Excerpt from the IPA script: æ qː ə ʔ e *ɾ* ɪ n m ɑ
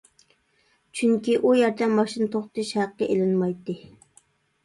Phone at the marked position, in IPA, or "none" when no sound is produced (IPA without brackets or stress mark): l